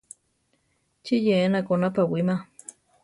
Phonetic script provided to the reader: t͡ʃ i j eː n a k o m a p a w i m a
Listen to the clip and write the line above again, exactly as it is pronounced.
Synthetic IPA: t͡ʃ i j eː n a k o n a p a w i m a